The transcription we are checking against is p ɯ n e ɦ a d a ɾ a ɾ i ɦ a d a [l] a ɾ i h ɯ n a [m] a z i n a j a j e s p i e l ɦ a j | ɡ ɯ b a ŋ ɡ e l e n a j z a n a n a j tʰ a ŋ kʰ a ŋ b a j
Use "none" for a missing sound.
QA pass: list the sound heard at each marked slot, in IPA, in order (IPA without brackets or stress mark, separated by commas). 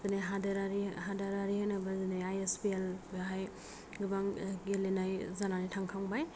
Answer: ɾ, b